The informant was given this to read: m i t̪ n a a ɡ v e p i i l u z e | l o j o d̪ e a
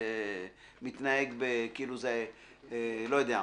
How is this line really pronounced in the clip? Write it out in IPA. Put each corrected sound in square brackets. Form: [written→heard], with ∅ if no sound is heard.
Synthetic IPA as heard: m i t̪ n a [a→e] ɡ [v→b] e [p→k] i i l u z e | l o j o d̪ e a